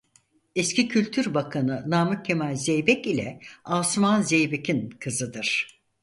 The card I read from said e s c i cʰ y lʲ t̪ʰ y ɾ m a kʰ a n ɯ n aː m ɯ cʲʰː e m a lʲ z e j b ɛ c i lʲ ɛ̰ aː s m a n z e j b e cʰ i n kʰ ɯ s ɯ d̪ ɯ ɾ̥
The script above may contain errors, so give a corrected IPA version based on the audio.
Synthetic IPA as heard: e s c i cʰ y lʲ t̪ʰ y ɾ b a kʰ a n ɯ n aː m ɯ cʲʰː e m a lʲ z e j b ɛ c i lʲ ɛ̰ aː s m a n z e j b e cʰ i n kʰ ɯ z ɯ d̪ ɯ ɾ̥